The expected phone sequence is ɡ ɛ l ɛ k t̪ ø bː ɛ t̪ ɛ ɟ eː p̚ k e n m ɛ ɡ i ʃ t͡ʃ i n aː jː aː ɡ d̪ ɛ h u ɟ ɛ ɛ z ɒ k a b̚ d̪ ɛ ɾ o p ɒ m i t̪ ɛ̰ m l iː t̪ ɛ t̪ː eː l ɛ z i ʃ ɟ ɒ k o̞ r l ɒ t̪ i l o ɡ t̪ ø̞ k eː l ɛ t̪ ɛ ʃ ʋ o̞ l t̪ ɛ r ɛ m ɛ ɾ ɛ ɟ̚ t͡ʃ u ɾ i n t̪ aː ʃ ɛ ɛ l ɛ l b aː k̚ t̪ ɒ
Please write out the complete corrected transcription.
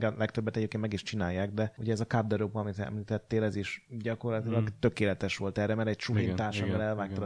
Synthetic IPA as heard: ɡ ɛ l ɛ k t̪ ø bː ɛ t̪ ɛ ɟ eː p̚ k e n m ɛ ɡ i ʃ t͡ʃ i n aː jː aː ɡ d̪ ɛ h u ɟ ɛ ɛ z ɒ k a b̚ d̪ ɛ ɾ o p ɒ m i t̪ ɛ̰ m l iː t̪ ɛ t̪ː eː l ɛ z i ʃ ɟ ɒ k o̞ r l ɒ t̪ i l ɒ ɡ t̪ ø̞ k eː l ɛ t̪ ɛ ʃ ʋ o̞ l t̪ ɛ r ɛ m ɛ ɾ ɛ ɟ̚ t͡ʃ u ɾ i n t̪ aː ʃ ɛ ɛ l ɛ l v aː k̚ t̪ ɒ